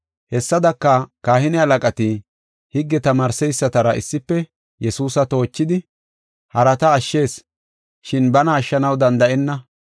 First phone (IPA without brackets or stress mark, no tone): h